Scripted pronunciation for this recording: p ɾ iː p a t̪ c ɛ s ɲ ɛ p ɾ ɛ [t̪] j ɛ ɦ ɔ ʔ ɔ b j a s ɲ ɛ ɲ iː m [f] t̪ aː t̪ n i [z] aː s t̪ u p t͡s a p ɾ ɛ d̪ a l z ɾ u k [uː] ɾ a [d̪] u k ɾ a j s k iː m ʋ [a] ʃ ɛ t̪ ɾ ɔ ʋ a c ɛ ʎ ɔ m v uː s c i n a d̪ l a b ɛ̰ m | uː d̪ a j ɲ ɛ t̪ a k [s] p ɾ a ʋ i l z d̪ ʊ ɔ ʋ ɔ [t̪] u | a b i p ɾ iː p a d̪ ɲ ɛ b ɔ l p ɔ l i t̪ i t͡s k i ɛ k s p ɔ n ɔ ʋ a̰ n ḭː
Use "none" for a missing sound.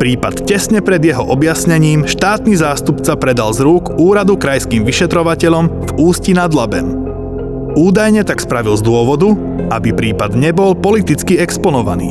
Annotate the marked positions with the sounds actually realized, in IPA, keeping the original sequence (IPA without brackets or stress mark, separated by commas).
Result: d̪, ʃ, z, uː, d̪, i, s, d̪